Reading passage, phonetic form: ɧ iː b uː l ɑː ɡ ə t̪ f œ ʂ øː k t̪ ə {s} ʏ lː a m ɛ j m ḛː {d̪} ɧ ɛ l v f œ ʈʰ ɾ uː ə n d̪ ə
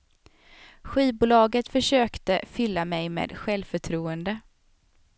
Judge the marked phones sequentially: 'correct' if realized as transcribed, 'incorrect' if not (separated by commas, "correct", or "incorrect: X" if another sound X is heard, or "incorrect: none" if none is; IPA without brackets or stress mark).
incorrect: f, correct